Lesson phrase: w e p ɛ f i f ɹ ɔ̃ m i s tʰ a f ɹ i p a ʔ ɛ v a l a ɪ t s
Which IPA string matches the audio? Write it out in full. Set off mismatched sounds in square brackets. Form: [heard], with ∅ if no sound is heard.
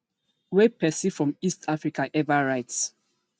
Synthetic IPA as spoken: w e p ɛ [s] i f ɹ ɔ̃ m i s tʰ a f ɹ i [k] a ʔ ɛ v a [ɹ] a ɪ t s

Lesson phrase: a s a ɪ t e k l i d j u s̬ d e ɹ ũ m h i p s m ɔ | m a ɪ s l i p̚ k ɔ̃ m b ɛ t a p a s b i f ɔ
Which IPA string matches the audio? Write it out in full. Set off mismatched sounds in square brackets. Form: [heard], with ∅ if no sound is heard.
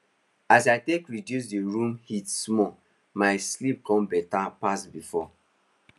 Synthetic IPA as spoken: a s a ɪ t e k [ɹ] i d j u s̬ d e ɹ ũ m h i [t] s m ɔ | m a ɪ s l i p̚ k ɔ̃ m b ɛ t a p a s b i f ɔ

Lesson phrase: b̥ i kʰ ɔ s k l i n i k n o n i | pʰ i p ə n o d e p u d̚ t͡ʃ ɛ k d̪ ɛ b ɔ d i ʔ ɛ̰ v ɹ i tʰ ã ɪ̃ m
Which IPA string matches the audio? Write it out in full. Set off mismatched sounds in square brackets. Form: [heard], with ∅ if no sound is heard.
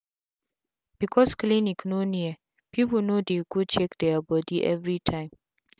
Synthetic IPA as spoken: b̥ i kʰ ɔ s k l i n i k n o n i | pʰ i p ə n o d e [k] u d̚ t͡ʃ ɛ k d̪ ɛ b ɔ d i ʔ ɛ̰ v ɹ i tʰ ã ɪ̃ m

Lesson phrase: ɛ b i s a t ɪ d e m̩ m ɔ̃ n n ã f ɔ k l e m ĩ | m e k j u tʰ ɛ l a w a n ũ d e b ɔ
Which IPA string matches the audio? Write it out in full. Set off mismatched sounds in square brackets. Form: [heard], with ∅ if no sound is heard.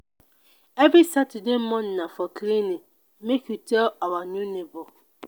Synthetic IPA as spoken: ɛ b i s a t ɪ d e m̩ m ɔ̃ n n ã f ɔ k l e [n] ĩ | m e k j u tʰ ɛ l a w a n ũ [n] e b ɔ

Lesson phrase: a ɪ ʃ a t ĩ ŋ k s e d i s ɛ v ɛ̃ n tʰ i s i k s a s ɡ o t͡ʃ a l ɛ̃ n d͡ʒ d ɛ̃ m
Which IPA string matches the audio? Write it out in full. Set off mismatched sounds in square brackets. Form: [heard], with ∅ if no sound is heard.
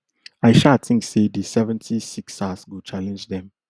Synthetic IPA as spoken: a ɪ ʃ a t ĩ ŋ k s e d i s ɛ v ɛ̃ n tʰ i s i k s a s ɡ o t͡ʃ a l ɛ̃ n d͡ʒ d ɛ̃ m

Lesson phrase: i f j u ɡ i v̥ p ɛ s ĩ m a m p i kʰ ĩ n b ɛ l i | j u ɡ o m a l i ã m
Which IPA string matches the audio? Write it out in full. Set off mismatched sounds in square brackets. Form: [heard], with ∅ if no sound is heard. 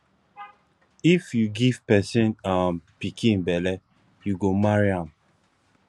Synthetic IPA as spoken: i f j u ɡ i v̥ p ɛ s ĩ [n] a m p i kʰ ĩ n b ɛ l [ɛ] | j u ɡ o m a [ɹ] i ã m

